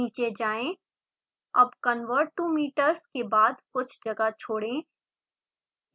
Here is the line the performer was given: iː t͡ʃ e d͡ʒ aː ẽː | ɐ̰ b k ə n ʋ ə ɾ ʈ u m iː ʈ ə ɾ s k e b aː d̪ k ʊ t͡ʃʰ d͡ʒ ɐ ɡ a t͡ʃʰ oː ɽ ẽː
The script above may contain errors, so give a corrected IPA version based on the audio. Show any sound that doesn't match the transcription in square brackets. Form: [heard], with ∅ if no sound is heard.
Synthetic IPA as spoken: iː t͡ʃ e d͡ʒ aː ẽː | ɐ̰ b k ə n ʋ ə ɾ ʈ u m iː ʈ ə ɾ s k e b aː d̪ k ʊ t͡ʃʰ d͡ʒ ɐ ɡ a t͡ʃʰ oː ɽ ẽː